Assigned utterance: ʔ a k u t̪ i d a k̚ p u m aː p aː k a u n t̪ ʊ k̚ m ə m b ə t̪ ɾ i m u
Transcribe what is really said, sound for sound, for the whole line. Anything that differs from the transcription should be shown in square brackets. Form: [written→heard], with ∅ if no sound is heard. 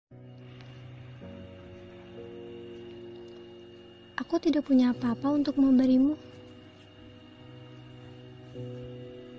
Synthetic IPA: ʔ a k u t̪ i d a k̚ p u [m→ɲ] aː p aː [k→p] a u n t̪ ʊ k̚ m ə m b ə [t̪→∅] ɾ i m u